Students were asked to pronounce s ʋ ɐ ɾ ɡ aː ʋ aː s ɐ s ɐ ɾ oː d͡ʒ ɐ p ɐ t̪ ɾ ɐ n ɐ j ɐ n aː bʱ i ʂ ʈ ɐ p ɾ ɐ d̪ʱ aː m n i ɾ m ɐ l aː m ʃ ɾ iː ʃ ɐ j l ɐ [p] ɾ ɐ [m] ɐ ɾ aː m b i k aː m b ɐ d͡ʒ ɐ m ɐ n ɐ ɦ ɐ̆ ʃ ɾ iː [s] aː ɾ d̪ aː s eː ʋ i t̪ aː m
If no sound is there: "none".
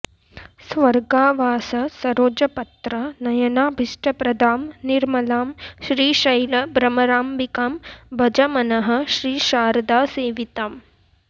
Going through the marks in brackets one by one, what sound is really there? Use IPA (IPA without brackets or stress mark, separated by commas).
b, m, ʃ